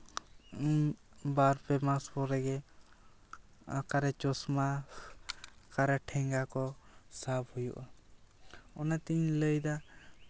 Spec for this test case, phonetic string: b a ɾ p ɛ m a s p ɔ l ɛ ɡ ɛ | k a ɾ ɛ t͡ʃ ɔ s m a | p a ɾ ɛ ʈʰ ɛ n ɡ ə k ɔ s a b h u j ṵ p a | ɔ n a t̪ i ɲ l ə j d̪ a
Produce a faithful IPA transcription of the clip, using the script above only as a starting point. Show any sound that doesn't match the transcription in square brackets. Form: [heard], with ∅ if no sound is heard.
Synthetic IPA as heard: b a ɾ p ɛ m a s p ɔ [ɾ] ɛ ɡ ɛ | k a ɾ ɛ t͡ʃ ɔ s m a | [k] a ɾ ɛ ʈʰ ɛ [ŋ] ɡ [a] k ɔ s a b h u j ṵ [ʔ] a | ɔ n a t̪ i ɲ l ə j d̪ a